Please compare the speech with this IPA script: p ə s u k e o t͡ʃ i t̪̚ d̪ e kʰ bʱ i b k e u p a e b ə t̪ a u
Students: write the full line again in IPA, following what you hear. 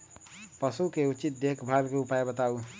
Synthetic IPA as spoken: p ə s u k e u t͡ʃ i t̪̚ d̪ e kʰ bʱ a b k e u p a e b ə t̪ a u